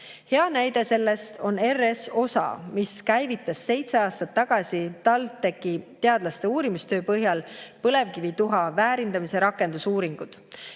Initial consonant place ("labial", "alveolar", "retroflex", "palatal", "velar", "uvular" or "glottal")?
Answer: glottal